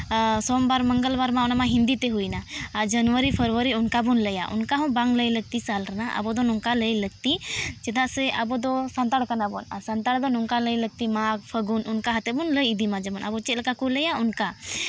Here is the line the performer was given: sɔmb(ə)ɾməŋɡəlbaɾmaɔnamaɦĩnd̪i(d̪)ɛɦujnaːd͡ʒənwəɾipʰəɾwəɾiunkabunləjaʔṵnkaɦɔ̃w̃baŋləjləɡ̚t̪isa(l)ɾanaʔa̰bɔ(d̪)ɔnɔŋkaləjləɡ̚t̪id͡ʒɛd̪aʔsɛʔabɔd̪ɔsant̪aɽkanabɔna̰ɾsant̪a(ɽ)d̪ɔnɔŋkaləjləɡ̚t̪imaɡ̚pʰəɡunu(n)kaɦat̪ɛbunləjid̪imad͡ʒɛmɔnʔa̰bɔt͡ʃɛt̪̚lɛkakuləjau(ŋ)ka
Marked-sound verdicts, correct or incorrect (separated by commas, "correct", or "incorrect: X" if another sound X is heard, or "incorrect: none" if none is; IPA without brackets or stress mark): incorrect: a, incorrect: t̪, correct, correct, correct, correct, incorrect: n